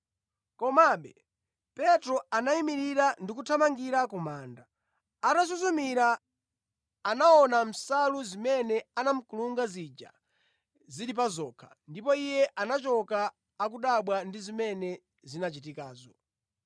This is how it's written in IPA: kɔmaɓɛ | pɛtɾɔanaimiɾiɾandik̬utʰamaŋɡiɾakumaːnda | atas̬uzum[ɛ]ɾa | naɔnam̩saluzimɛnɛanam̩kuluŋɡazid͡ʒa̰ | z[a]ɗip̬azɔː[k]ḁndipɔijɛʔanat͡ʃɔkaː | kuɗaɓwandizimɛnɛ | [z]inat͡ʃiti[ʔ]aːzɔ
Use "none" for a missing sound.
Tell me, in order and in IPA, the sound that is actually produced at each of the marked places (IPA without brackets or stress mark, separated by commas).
i, i, kʰ, z, k